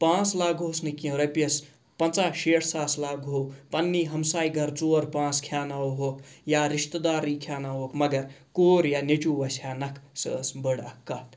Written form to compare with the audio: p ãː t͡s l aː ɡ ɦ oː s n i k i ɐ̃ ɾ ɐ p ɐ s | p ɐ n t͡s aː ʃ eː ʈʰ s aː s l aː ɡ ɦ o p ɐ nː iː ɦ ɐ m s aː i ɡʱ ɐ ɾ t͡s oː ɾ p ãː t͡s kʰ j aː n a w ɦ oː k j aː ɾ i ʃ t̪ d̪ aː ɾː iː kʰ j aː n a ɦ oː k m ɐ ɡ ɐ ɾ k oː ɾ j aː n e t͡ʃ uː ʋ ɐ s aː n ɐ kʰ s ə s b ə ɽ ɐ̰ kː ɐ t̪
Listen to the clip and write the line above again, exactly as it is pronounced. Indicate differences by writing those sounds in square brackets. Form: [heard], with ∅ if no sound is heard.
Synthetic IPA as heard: p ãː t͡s l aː ɡ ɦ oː s n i k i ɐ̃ ɾ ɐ p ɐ s | p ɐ n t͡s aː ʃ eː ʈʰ s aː s l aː ɡ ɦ o p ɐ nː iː ɦ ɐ m s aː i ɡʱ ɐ ɾ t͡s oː ɾ p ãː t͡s kʰ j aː n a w ɦ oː k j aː ɾ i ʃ t̪ d̪ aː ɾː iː kʰ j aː n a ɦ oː k m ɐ ɡ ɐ ɾ k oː ɾ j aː n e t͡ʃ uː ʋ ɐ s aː n ɐ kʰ s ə s b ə ɽ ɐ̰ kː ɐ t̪